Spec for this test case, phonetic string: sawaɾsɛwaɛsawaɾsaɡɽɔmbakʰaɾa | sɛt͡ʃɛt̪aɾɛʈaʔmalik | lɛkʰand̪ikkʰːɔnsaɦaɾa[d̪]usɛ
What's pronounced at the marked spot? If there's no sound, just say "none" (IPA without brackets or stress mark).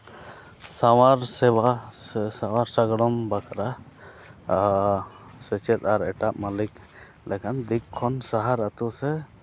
t̪